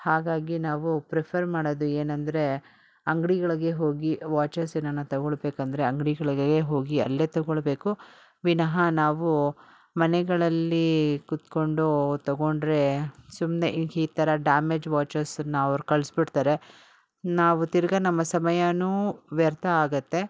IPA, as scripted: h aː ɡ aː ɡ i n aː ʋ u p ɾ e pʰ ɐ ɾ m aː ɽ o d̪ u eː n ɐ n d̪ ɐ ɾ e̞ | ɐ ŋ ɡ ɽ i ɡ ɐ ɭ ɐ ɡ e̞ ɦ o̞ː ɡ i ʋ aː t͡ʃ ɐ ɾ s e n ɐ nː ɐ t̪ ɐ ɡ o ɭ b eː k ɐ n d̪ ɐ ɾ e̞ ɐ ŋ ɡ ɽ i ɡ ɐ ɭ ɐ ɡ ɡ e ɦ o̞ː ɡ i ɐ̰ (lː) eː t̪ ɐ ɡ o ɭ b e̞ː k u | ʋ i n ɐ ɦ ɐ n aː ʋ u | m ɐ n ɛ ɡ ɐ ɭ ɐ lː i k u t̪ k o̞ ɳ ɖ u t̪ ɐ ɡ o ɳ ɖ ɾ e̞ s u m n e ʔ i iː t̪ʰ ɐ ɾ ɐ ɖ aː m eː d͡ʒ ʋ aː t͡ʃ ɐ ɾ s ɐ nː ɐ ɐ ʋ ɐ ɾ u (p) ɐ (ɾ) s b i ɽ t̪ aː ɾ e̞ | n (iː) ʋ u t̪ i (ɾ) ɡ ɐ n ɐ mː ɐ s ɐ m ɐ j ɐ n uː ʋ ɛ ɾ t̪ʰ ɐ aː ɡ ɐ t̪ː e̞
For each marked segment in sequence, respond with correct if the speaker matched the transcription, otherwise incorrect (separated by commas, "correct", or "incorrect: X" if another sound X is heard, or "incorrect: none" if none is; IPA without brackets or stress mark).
correct, incorrect: k, incorrect: ɭ, incorrect: aː, correct